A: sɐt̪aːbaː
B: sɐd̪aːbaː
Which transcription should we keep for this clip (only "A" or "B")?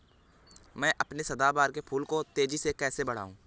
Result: B